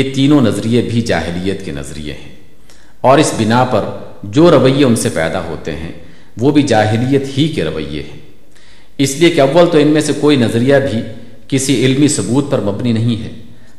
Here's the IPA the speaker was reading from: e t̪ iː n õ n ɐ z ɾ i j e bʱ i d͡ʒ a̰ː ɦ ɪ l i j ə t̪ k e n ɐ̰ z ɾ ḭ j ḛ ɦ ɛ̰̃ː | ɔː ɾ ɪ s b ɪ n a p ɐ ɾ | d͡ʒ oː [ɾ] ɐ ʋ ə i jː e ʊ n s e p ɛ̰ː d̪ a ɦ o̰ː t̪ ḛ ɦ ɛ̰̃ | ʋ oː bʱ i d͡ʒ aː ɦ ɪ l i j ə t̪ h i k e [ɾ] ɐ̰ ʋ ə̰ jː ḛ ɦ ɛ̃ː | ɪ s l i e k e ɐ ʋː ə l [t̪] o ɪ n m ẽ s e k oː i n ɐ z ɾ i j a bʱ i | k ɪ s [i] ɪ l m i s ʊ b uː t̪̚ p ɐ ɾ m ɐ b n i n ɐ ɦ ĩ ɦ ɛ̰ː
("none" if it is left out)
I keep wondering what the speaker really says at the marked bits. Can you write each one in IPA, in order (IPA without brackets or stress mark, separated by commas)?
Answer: ɾ, ɾ, t̪, i